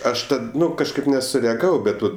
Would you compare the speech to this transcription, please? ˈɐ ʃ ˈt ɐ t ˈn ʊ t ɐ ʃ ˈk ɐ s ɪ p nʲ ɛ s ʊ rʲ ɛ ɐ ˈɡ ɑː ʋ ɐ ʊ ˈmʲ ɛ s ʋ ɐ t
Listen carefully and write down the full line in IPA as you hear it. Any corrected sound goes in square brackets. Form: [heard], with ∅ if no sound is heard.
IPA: ˈɐ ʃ ˈt ɐ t ˈn ʊ [k] ɐ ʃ ˈk ɐ [∅] ɪ p nʲ ɛ s ʊ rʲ ɛ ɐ ˈɡ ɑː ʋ ɐ ʊ [ˈbʲ] ɛ [t] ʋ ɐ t

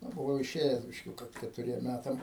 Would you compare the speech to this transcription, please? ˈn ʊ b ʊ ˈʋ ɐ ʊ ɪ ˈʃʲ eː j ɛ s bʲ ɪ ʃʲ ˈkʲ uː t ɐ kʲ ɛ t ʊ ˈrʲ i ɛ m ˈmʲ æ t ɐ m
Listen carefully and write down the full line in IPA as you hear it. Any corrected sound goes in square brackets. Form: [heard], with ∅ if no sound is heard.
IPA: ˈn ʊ b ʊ ˈʋ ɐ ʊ ɪ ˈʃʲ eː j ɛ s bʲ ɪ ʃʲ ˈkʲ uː [k] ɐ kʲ ɛ t ʊ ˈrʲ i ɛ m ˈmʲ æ t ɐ m

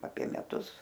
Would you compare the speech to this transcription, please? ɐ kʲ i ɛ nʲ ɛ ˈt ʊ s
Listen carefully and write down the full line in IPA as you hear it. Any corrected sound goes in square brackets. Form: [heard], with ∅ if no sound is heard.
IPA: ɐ [pʲ] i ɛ [mʲ] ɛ ˈt ʊ s

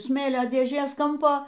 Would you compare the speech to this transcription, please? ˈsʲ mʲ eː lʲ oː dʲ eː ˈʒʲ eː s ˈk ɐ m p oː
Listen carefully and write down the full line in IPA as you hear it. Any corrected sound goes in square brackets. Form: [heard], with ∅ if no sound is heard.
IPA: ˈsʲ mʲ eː lʲ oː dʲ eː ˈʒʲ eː s ˈk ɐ m p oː

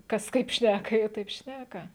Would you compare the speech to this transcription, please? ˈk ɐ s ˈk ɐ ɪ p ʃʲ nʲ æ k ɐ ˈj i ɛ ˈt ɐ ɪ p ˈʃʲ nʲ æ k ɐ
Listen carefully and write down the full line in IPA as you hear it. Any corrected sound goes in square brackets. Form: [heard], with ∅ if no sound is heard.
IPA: ˈk ɐ s ˈk ɐ ɪ p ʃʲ nʲ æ k ɐ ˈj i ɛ ˈt ɐ ɪ p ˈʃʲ nʲ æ k ɐ

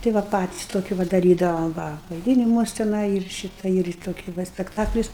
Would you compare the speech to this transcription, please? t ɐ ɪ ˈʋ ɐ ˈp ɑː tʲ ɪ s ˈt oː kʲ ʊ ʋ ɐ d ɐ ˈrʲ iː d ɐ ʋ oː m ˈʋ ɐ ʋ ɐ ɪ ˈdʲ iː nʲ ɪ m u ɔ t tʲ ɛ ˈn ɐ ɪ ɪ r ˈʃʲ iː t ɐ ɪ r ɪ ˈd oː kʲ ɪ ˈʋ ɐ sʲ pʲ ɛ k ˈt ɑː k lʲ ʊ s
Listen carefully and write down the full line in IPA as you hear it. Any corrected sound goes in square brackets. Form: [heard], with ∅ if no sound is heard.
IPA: t ɐ ɪ ˈʋ ɐ ˈp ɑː tʲ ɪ s ˈt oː kʲ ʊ ʋ ɐ d ɐ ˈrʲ iː d ɐ ʋ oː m ˈʋ ɐ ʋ ɐ ɪ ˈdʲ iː nʲ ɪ m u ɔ [s] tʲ ɛ ˈn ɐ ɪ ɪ r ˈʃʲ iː t ɐ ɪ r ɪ [ˈt] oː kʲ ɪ ˈʋ ɐ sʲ pʲ ɛ k ˈt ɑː k lʲ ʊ s

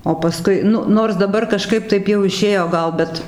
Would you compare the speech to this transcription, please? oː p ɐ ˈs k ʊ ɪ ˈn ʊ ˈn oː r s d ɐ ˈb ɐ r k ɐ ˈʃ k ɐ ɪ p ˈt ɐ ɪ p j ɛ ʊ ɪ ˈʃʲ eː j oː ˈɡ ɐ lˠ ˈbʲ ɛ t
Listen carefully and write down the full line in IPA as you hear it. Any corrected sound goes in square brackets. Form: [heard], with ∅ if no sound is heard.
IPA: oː p ɐ ˈs k ʊ ɪ ˈn ʊ ˈn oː r s d ɐ ˈb ɐ r k ɐ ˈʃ k ɐ ɪ p ˈt ɐ ɪ p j ɛ ʊ ɪ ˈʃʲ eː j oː ˈɡ ɐ lˠ ˈbʲ ɛ t

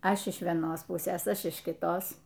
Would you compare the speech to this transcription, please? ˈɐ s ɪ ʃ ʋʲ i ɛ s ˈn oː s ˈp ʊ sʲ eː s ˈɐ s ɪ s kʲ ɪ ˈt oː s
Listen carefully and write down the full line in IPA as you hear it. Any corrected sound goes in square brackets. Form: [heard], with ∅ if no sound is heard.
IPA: ˈɐ [ʃ] ɪ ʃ ʋʲ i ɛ [∅] ˈn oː s ˈp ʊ sʲ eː s ˈɐ [ʃ] ɪ [ʃ] kʲ ɪ ˈt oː s

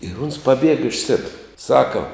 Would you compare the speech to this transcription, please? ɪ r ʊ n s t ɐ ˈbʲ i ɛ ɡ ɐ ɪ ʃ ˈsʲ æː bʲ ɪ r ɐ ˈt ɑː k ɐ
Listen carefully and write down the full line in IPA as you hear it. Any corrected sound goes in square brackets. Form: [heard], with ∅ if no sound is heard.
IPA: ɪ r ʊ n s [p] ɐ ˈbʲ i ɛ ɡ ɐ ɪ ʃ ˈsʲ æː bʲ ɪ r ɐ [ˈs] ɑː k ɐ

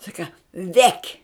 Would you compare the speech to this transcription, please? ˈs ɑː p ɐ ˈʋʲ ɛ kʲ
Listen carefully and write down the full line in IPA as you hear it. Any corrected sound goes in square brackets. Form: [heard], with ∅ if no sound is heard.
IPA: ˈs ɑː [k] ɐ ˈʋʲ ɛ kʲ

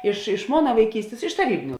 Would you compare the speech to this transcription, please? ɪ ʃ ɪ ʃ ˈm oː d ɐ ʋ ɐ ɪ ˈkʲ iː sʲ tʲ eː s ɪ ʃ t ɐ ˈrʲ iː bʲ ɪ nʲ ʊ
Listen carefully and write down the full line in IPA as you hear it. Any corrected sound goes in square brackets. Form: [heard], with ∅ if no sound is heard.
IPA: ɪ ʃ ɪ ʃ ˈm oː [n] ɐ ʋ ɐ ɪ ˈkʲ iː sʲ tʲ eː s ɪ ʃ t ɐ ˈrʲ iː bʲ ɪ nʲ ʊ

